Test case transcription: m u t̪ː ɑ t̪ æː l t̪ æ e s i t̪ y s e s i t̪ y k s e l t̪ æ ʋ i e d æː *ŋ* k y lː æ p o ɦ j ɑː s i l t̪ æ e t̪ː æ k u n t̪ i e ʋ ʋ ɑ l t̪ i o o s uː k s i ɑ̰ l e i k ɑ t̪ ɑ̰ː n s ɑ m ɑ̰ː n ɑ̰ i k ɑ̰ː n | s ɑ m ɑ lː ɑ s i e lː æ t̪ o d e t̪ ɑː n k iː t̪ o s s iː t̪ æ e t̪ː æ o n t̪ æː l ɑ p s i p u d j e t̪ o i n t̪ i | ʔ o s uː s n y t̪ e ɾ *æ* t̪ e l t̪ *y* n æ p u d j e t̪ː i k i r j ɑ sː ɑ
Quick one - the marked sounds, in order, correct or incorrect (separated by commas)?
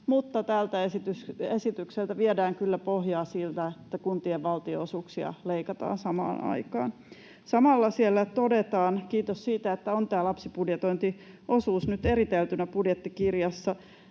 correct, incorrect, correct